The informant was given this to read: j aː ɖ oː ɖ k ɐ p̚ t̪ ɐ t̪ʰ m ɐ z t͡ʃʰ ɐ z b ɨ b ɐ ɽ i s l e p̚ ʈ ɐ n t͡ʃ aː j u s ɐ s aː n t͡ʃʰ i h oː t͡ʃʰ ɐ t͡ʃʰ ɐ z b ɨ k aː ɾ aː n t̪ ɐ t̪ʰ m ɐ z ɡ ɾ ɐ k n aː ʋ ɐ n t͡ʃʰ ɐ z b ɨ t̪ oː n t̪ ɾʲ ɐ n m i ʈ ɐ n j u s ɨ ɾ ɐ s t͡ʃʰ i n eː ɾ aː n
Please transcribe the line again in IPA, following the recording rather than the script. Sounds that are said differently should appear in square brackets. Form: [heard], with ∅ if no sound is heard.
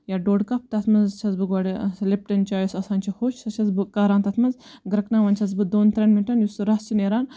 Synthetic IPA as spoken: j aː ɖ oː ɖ k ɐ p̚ t̪ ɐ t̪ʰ m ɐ z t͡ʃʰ ɐ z b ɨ [ɡ] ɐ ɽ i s l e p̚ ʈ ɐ n t͡ʃ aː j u s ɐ s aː n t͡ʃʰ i h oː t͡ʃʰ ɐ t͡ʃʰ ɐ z b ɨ k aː ɾ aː n t̪ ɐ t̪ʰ m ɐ z ɡ ɾ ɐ k n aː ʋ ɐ n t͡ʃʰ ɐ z b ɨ [d̪] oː n t̪ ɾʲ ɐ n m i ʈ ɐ n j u s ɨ ɾ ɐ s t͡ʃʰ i n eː ɾ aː n